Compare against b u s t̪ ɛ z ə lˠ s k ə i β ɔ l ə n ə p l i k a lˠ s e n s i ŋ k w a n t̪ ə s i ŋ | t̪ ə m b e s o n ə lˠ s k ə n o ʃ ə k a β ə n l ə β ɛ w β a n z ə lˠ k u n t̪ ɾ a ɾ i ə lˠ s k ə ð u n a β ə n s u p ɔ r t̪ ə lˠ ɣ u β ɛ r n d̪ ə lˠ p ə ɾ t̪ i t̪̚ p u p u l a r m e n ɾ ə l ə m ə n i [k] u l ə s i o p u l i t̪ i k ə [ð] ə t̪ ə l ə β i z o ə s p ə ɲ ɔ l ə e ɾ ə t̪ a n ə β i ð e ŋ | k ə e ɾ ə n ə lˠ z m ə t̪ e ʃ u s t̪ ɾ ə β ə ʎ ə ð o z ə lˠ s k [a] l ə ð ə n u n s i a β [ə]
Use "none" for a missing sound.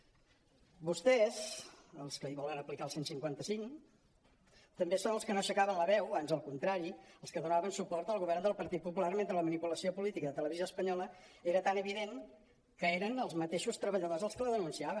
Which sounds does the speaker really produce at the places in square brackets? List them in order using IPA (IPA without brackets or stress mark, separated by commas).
p, ð, ə, ə